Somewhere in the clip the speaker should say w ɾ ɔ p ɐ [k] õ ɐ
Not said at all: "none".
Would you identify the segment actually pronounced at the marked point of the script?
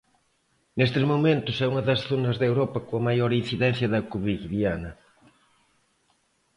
k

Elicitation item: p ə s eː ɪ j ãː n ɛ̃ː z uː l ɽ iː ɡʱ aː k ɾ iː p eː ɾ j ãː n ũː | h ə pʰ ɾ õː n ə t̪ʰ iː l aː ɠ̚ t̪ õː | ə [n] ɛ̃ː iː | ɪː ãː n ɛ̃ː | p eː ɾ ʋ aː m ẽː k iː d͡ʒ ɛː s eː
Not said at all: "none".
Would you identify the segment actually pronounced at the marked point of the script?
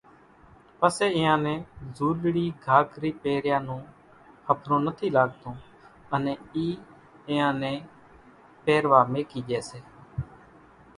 n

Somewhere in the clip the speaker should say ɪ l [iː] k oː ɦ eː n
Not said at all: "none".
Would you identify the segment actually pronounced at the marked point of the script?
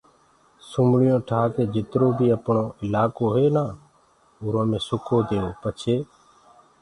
aː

